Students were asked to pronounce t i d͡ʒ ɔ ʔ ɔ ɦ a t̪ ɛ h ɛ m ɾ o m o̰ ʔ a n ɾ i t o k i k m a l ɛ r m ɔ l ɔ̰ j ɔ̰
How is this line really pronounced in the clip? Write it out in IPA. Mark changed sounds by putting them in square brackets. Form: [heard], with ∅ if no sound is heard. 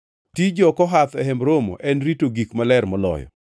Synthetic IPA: t i d͡ʒ ɔ [k] ɔ ɦ a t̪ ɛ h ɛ m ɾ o m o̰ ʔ [ɛ] n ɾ i t o [ɡ] i k m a l ɛ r m ɔ l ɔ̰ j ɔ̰